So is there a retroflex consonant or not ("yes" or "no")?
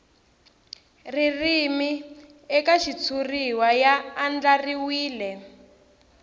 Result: no